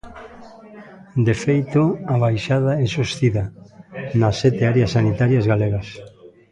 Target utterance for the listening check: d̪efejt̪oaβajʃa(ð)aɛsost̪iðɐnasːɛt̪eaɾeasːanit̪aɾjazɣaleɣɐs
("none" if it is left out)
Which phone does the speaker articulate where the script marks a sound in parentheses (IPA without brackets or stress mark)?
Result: ð